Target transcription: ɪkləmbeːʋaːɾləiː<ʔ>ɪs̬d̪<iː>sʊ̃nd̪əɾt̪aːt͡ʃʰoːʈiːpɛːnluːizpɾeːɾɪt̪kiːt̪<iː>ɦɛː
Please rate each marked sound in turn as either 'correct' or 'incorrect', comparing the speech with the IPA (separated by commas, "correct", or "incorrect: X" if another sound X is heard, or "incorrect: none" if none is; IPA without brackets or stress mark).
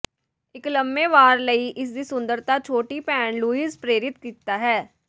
correct, correct, incorrect: aː